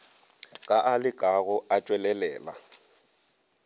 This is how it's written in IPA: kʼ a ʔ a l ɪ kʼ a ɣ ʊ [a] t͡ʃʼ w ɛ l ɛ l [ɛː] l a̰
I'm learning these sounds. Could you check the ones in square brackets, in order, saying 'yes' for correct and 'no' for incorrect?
yes, yes

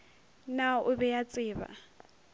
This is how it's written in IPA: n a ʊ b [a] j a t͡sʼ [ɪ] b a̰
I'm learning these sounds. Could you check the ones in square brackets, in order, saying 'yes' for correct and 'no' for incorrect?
no, no

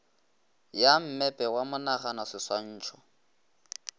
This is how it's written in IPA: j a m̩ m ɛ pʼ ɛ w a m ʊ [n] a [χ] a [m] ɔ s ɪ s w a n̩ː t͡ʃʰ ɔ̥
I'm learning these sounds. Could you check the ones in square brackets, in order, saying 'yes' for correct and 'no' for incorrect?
yes, yes, no

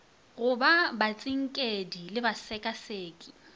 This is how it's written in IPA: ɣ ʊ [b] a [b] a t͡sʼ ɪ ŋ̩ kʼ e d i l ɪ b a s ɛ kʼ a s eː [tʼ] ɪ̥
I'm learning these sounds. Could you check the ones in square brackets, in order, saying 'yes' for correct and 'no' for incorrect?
yes, yes, no

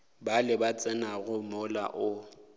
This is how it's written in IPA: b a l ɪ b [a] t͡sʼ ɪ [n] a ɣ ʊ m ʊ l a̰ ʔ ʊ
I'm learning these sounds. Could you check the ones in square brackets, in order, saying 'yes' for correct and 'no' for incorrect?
yes, yes

